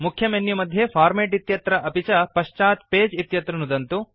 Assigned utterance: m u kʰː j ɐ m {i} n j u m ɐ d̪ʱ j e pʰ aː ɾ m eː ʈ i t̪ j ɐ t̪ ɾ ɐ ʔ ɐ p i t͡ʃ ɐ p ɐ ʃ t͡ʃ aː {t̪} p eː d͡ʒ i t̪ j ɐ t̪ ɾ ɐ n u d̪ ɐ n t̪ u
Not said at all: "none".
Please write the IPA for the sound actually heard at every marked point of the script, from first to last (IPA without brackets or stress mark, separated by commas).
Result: e, t̪